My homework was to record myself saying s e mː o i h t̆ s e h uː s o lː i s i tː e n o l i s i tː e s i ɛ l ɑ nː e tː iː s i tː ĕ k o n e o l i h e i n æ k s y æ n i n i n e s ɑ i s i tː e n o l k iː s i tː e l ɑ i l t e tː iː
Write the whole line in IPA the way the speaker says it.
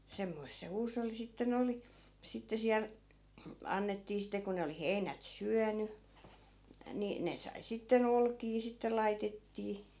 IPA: s e mː o i s t̆ s e h uː s o lː i s i tː e n o l i s i tː e s i æ l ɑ nː e tː iː s i tː ĕ k o n e o l i h e i n æ t s y æ n y n i n e s ɑ i s i tː e n o l k iː s i tː e l ɑ i t e tː iː